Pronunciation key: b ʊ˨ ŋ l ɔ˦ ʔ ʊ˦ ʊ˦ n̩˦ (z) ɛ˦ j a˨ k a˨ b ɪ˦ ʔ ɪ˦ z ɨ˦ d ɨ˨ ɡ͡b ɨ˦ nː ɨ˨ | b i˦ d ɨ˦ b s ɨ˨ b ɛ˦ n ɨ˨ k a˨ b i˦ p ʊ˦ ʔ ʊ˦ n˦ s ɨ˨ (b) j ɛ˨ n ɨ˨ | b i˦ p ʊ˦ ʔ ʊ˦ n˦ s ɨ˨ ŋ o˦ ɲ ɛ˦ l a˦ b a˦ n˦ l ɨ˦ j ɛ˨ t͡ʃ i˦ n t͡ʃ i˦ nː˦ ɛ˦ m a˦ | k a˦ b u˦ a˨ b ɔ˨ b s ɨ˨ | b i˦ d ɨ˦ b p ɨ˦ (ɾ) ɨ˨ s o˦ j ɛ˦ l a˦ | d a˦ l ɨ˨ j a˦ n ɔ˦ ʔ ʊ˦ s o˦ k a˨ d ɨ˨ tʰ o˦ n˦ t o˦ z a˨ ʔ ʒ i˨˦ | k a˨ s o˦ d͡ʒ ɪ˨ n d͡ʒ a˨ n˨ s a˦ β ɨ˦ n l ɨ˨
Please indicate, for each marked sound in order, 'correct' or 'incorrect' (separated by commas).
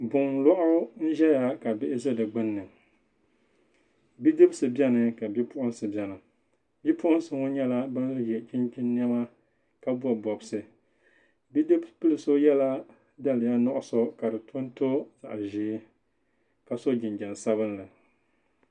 incorrect, correct, incorrect